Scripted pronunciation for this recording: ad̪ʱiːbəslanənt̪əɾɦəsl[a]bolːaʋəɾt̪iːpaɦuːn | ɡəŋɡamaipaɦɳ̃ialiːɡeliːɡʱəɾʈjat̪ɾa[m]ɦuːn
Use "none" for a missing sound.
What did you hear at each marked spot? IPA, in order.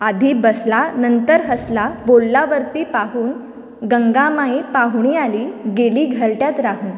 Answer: a, none

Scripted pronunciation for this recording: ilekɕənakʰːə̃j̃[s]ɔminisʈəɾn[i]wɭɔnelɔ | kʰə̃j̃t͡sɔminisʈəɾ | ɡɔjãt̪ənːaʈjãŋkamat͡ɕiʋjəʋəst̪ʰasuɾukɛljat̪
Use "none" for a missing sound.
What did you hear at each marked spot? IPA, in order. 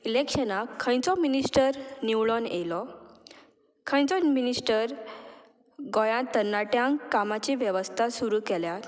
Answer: t͡s, i

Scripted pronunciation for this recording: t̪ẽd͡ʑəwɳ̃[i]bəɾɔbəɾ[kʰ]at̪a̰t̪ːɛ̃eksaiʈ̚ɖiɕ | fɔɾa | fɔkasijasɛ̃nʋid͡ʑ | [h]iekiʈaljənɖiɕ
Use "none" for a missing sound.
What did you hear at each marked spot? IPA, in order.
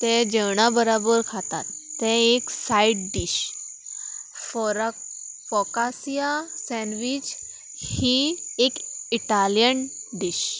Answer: a, kʰ, h

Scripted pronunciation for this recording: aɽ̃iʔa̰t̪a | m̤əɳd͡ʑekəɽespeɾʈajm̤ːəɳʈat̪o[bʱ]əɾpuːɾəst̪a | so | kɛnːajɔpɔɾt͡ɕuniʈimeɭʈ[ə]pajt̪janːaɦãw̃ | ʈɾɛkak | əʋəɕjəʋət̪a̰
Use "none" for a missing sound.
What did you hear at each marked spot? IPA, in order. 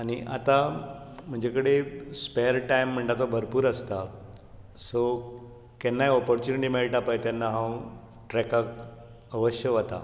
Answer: bʱ, a

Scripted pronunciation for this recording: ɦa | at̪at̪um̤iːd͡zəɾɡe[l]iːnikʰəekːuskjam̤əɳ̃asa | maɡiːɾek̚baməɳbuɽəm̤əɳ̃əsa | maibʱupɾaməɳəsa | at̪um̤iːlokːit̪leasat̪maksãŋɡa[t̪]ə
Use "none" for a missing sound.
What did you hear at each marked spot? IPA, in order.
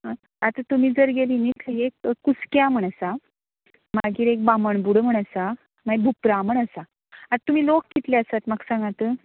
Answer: l, t̪

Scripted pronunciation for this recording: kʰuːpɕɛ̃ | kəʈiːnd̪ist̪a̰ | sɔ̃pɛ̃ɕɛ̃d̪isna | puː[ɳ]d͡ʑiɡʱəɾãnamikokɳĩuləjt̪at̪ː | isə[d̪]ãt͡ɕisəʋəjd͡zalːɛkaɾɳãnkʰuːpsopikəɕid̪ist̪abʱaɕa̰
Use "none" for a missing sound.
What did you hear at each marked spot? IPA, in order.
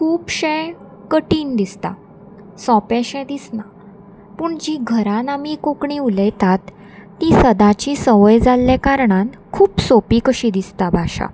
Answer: ɳ, d̪

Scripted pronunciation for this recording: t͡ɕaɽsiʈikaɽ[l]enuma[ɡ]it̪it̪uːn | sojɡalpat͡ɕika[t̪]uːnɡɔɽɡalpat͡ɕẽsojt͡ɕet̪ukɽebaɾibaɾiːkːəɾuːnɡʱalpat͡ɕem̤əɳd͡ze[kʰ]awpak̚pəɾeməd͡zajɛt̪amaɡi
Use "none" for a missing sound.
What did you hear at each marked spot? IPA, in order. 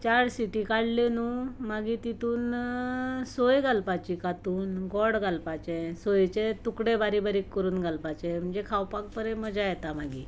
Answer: l, ɡ, t̪, kʰ

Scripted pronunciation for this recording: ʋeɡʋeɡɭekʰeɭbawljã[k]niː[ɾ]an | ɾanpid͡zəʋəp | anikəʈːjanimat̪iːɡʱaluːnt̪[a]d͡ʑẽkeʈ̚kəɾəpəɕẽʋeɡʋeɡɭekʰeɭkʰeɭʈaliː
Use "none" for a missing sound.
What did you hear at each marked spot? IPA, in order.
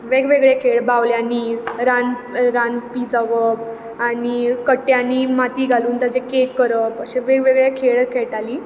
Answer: none, ɾ, a

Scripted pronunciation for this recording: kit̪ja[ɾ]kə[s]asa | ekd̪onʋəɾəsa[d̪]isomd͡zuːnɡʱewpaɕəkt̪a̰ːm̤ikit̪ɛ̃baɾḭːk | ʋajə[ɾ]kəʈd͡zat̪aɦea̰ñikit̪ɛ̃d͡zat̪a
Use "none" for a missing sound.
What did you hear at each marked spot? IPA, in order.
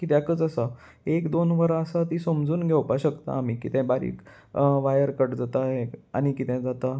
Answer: none, t͡s, t̪, ɾ

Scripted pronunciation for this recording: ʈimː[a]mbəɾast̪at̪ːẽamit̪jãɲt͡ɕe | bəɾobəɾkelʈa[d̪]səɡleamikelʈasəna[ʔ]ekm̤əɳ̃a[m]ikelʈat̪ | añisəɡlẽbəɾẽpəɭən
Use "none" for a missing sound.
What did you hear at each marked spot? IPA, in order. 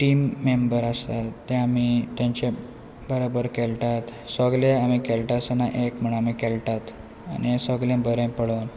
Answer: e, t̪, ʔ, m

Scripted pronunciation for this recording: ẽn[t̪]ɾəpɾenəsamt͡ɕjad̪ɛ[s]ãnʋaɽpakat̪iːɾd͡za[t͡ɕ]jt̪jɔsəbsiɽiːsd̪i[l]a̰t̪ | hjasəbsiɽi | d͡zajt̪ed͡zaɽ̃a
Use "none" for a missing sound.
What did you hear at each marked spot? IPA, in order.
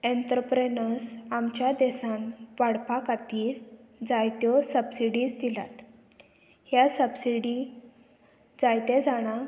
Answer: t̪, s, none, l

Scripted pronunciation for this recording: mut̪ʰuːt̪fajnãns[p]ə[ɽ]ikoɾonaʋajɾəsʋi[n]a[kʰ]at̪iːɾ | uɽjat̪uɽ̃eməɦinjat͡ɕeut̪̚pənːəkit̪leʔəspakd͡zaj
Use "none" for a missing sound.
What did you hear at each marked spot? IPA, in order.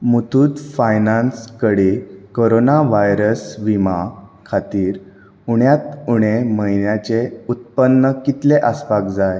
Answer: k, ɽ, m, kʰ

